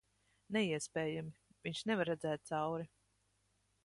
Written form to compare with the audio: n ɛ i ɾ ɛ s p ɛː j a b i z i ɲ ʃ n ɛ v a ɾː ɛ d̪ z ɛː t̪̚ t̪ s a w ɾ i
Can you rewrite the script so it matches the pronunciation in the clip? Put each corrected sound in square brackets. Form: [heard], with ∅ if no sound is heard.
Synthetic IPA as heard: n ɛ i [∅] ɛ s p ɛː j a [m] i [v] i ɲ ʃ n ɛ v a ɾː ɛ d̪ z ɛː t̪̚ t̪ s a w ɾ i